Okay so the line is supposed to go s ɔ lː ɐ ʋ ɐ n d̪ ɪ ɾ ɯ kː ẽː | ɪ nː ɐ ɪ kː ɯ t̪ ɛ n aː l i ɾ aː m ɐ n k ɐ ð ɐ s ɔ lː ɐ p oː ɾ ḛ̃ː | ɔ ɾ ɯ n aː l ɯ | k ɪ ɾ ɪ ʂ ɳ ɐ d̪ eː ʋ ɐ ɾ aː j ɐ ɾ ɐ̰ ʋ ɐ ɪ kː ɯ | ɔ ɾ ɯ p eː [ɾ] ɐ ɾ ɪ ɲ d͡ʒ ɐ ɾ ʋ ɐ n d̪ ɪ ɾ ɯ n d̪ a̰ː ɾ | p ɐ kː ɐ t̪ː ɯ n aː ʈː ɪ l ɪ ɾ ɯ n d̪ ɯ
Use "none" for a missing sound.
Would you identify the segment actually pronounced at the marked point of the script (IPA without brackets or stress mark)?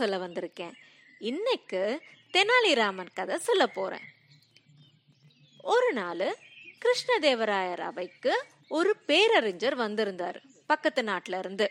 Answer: ɾ